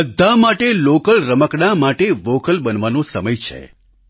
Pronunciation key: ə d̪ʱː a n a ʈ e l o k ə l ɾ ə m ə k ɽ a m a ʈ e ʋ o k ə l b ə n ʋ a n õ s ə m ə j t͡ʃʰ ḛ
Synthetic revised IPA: ə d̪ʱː a m a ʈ e l o k ə l ɾ ə m ə k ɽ a m a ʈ e ʋ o k ə l b ə n ʋ a n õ s ə m ə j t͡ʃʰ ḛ